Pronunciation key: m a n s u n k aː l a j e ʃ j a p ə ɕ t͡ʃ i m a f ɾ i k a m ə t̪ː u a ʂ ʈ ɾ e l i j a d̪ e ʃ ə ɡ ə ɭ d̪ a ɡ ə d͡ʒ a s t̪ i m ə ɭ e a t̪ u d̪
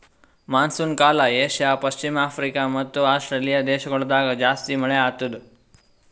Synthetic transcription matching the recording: m a n s u n k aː l a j e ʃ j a p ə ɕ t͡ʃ i m a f ɾ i k a m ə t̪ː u a s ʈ ɾ e l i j a d̪ e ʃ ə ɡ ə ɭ d̪ a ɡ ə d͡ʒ a s t̪ i m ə ɭ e a t̪ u d̪